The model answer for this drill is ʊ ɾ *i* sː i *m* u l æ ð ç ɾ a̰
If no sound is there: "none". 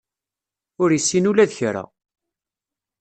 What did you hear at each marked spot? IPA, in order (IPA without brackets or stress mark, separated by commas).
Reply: i, n